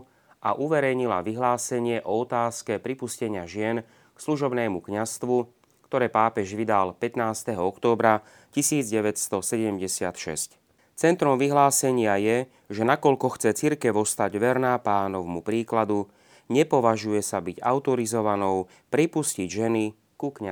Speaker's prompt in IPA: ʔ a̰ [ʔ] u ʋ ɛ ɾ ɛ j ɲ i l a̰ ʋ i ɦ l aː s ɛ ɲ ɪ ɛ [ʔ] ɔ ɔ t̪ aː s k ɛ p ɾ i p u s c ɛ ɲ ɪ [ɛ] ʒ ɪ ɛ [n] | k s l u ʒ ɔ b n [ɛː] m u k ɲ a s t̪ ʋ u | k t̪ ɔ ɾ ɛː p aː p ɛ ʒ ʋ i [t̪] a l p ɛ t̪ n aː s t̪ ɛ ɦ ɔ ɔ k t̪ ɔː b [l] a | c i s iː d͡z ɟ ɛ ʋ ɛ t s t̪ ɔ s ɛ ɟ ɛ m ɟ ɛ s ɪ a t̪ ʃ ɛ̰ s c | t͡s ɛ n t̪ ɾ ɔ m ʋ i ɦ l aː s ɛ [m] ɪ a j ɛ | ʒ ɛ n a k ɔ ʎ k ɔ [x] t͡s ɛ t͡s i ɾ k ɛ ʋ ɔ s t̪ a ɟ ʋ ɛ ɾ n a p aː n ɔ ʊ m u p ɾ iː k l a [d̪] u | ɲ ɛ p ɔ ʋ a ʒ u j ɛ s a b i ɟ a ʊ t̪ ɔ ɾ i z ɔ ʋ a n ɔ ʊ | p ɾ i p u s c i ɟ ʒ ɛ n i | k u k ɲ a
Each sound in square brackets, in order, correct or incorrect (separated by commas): correct, correct, incorrect, correct, correct, incorrect, incorrect, incorrect, correct, correct